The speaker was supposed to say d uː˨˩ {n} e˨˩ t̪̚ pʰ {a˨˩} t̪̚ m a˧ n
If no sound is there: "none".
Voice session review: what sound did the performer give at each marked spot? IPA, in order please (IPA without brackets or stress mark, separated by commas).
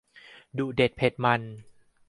d, e˨˩